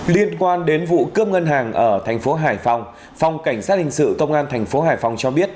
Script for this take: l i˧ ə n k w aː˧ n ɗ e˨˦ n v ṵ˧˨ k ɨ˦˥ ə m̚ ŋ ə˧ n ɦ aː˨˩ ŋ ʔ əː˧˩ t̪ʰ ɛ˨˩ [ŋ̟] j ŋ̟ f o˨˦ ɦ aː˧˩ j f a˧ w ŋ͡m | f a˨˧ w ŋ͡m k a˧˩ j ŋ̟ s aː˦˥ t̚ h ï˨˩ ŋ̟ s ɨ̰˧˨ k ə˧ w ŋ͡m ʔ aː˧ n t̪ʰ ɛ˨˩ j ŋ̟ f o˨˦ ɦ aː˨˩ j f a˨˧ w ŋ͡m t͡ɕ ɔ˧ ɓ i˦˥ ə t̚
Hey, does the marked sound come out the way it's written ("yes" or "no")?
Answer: no